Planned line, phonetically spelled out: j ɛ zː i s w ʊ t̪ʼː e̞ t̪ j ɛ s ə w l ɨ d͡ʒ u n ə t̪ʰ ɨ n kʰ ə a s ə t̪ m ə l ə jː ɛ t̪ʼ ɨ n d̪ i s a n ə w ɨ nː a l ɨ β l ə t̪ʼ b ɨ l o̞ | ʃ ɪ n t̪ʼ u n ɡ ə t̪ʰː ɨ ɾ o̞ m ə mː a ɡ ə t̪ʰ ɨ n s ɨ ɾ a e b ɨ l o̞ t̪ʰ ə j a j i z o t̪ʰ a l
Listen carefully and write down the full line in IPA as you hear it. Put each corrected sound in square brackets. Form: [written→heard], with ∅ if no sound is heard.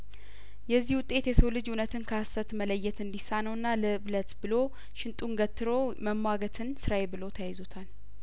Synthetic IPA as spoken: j ɛ zː i [s→h] w ʊ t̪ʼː e̞ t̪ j ɛ s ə w l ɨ d͡ʒ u n ə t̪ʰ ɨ n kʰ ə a s ə t̪ m ə l ə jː ɛ [t̪ʼ→t̪] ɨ n d̪ i s a n ə w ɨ nː a l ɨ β l ə [t̪ʼ→t̪] b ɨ l o̞ | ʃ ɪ n t̪ʼ u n ɡ ə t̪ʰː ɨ ɾ o̞ m ə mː a ɡ ə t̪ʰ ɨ n s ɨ ɾ a e b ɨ l o̞ t̪ʰ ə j a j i z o t̪ʰ a l